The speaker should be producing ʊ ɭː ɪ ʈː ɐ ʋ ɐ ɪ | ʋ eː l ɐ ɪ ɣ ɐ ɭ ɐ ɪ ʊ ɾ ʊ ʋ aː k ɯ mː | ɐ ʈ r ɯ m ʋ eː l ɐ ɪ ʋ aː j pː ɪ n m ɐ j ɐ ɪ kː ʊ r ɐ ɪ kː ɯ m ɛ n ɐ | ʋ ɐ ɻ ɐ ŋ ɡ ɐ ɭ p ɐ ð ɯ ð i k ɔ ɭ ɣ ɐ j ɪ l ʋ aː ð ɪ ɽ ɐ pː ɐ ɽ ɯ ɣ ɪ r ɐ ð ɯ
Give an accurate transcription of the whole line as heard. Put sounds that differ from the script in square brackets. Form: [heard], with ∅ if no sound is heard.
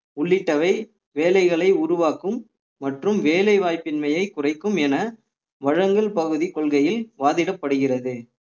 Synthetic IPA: ʊ ɭː ɪ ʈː ɐ ʋ ɐ ɪ | ʋ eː l ɐ ɪ ɣ ɐ ɭ ɐ ɪ ʊ ɾ ʊ ʋ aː k ɯ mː | ɐ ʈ r ɯ m ʋ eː l ɐ ɪ ʋ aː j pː ɪ n m ɐ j ɐ ɪ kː ʊ r ɐ ɪ kː ɯ m ɛ n ɐ | ʋ ɐ ɻ ɐ ŋ ɡ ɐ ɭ p ɐ [ɣ] ɯ ð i k ɔ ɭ ɣ ɐ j ɪ l ʋ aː ð ɪ ɽ ɐ pː ɐ ɽ ɯ ɣ ɪ r ɐ ð ɯ